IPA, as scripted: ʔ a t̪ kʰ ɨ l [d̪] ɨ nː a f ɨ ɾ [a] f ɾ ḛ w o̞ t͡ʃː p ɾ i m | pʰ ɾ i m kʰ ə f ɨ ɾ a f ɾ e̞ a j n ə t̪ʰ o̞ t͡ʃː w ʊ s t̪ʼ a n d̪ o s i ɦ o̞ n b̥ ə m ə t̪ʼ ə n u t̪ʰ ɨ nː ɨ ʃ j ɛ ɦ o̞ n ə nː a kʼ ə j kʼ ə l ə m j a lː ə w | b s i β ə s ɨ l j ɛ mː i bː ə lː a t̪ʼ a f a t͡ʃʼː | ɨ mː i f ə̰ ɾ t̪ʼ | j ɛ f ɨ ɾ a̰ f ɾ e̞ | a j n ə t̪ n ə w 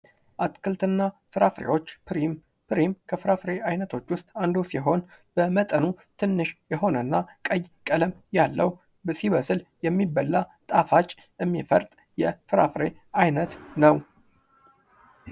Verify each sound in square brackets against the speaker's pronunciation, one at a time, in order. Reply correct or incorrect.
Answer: incorrect, correct

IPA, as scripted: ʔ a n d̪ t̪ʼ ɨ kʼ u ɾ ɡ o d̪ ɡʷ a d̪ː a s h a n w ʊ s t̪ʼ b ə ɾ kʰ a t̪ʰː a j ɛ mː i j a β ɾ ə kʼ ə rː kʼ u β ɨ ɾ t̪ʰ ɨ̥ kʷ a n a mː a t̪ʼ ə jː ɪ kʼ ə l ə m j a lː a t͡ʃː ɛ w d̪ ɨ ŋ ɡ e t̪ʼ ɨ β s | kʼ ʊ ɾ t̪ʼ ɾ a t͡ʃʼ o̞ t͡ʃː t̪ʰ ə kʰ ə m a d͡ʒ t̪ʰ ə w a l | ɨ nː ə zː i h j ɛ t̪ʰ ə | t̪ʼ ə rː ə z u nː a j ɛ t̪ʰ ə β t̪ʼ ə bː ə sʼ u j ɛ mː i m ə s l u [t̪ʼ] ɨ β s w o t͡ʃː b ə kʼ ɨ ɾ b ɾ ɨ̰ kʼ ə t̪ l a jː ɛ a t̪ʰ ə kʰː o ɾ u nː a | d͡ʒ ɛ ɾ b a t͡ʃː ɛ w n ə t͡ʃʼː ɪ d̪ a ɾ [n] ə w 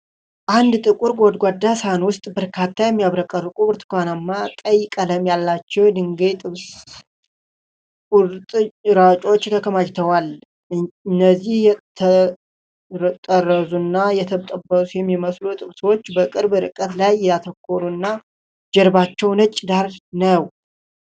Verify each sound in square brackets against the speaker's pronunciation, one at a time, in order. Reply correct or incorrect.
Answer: correct, correct

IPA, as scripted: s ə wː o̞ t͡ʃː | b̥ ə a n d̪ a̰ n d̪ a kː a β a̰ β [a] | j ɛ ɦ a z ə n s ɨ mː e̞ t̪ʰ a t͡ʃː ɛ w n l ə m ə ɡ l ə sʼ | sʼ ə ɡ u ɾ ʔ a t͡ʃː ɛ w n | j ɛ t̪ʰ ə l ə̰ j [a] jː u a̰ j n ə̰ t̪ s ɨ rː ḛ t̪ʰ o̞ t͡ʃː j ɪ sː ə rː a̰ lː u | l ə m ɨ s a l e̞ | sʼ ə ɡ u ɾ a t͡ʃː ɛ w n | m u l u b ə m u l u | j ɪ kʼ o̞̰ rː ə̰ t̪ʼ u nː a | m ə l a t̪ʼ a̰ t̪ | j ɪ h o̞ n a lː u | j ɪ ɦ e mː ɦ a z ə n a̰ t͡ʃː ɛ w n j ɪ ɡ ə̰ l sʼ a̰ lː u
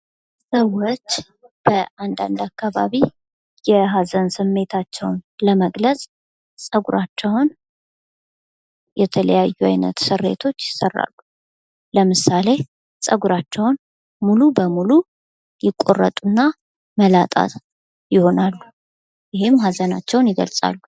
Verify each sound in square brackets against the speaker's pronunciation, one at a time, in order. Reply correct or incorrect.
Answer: incorrect, correct

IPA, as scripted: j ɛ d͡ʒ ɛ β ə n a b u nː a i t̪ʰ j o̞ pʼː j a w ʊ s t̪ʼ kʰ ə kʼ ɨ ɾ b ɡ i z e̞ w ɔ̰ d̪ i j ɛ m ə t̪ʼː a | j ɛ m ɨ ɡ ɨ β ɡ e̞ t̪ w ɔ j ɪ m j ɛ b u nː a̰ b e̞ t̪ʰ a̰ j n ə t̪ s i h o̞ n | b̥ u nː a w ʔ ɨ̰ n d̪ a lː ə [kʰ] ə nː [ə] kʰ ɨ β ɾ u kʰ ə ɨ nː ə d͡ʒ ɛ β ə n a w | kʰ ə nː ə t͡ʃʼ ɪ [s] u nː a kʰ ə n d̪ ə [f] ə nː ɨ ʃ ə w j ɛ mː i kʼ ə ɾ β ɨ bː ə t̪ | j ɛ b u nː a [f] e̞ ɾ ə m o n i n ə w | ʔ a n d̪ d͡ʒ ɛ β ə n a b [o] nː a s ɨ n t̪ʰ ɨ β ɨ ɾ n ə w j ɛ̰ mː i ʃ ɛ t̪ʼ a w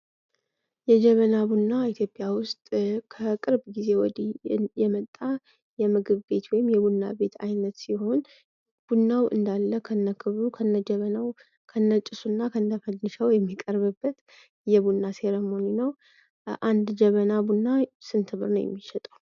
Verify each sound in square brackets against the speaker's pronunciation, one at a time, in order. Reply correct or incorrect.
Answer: correct, correct, correct, correct, incorrect, incorrect

